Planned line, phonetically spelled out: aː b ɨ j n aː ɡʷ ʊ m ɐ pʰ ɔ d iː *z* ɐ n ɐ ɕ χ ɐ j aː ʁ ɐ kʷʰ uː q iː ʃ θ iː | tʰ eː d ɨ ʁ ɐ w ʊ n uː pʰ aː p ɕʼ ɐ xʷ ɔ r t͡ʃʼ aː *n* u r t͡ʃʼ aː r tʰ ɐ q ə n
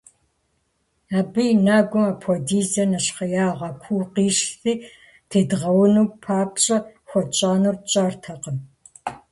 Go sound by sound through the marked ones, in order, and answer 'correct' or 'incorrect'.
correct, correct

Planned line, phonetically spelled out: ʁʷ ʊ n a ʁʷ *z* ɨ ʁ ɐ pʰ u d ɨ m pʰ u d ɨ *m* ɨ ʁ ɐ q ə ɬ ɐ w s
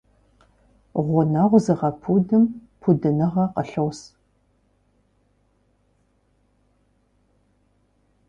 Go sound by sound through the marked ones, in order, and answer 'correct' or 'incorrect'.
correct, incorrect

